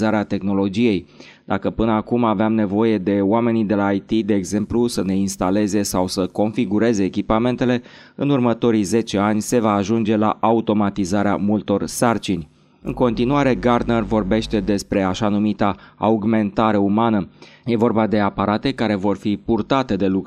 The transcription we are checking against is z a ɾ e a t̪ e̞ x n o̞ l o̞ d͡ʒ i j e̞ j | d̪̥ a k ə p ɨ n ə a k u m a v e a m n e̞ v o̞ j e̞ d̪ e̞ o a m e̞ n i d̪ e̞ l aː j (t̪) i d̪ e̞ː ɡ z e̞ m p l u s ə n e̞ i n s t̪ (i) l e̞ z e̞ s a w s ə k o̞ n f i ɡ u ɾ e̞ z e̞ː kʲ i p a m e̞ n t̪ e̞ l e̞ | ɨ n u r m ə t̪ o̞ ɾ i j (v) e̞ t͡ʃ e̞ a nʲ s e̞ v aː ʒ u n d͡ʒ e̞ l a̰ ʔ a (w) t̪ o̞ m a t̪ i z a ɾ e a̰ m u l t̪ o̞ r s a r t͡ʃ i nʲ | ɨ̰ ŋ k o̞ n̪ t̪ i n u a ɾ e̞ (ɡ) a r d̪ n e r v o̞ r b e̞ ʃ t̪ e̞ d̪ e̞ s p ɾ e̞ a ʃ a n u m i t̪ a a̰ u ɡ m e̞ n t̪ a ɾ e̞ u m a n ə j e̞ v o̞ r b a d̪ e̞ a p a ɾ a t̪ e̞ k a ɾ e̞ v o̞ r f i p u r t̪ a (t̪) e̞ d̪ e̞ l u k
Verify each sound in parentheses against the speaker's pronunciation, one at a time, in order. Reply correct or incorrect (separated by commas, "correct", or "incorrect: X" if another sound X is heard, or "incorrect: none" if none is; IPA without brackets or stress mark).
correct, incorrect: a, incorrect: z, incorrect: u, correct, correct